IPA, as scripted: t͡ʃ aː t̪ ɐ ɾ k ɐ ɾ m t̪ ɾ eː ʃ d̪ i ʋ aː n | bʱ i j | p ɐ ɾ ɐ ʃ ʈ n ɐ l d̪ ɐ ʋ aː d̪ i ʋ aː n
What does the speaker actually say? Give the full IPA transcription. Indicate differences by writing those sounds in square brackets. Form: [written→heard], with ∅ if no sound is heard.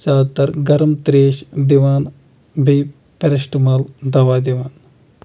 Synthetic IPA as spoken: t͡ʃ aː t̪ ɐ ɾ [k→ɡ] ɐ ɾ m t̪ ɾ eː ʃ d̪ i ʋ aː n | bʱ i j | p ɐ ɾ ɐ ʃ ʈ [n→m] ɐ l d̪ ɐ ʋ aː d̪ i ʋ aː n